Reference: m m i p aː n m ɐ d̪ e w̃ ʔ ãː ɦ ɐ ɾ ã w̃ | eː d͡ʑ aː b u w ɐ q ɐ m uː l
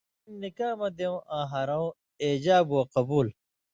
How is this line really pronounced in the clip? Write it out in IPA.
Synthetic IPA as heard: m n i k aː m ɐ d̪ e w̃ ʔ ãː ɦ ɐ ɾ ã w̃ | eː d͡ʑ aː b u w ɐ q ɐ b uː l